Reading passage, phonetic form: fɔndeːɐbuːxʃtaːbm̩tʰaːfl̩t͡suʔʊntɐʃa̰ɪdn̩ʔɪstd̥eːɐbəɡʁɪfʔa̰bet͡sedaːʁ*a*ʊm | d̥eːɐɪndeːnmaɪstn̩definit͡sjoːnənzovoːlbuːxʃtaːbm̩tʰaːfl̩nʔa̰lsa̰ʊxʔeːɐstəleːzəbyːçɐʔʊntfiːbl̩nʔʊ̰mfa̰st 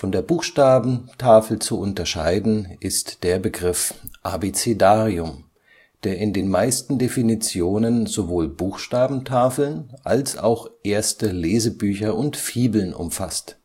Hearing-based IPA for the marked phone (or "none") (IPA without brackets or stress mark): i